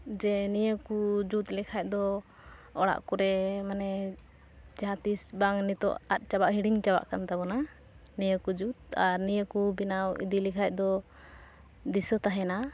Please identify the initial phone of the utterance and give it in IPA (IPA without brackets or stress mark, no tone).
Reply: d͡ʒ